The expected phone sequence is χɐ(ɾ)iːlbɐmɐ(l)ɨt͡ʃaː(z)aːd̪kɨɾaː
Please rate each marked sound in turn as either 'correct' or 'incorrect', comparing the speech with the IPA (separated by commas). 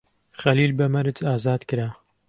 incorrect, incorrect, correct